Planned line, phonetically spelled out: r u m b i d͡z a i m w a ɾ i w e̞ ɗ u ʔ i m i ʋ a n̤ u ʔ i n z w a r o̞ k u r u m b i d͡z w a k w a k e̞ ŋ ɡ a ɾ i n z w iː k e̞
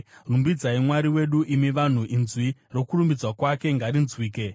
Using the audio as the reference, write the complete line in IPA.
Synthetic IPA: r u m b i d͡z a i m w a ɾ i w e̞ ɗ u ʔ i m i ʋ a n̤ u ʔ i n z w i r o̞ k u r u m b i d͡z w a k w a k e̞ ŋ ɡ a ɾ i n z w iː k e̞